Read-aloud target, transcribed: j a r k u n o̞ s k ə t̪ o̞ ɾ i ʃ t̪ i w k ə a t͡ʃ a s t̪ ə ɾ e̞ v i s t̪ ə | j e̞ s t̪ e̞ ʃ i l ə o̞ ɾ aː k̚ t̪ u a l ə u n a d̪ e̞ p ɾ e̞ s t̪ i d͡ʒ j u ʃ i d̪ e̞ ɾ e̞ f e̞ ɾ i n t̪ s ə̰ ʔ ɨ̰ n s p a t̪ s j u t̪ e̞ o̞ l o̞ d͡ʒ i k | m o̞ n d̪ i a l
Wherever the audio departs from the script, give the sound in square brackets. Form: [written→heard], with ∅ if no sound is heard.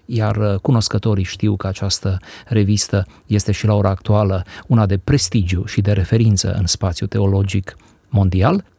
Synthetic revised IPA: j a r k u n o̞ s k ə t̪ o̞ ɾ i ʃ t̪ i w k ə a t͡ʃ a s t̪ ə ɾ e̞ v i s t̪ ə | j e̞ s t̪ e̞ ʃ i l [ə→a] o̞ ɾ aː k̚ t̪ u a l ə u n a d̪ e̞ p ɾ e̞ s t̪ i d͡ʒ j u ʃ i d̪ e̞ ɾ e̞ f e̞ ɾ i n t̪ s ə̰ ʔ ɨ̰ n s p a t̪ s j u t̪ e̞ o̞ l o̞ d͡ʒ i k | m o̞ n d̪ i a l